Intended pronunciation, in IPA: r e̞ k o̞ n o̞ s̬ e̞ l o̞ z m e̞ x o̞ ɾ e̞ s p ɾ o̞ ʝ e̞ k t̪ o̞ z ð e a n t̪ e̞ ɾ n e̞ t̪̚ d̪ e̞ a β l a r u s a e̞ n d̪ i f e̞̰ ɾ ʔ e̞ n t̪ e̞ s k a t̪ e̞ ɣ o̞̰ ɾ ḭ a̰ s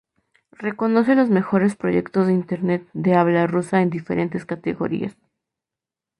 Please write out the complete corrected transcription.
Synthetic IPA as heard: r e̞ k o̞ n o̞ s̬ e̞ l o̞ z m e̞ x o̞ ɾ e̞ s p ɾ o̞ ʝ e̞ k t̪ o̞ z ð e i n t̪ e̞ ɾ n e̞ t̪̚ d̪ e̞ a β l a r u s a e̞ n d̪ i f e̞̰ ɾ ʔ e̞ n t̪ e̞ s k a t̪ e̞ ɣ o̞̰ ɾ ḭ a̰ s